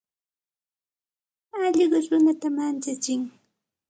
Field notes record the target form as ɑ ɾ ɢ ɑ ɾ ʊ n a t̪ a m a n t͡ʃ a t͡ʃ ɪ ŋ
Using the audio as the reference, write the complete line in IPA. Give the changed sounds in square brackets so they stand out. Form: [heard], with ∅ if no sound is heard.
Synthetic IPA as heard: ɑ [ʎ] ɢ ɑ ɾ ʊ n a t̪ a m a n t͡ʃ a t͡ʃ ɪ ŋ